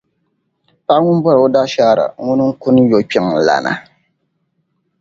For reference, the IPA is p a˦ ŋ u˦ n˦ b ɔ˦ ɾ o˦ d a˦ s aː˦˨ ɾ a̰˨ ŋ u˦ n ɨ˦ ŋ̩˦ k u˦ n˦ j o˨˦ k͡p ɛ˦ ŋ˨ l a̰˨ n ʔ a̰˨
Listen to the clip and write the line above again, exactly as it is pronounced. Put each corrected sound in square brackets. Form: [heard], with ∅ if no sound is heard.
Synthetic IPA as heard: p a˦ ŋ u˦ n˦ b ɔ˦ ɾ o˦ d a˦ [ʃ] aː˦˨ ɾ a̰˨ ŋ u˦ n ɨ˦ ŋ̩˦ k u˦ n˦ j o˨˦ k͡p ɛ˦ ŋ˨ l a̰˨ n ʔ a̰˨